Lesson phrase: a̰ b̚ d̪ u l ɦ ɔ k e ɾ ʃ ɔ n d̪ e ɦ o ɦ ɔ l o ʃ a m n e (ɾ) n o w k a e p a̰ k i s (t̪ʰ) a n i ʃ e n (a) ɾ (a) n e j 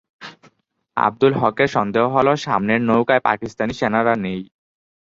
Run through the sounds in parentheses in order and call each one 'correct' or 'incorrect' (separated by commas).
correct, incorrect, correct, correct